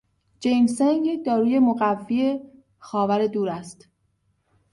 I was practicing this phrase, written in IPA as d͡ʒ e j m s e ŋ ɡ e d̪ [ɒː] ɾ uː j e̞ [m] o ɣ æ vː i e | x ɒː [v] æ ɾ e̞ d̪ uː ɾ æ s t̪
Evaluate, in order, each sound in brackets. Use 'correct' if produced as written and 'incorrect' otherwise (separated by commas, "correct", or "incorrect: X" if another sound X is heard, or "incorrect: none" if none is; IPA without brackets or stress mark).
correct, correct, correct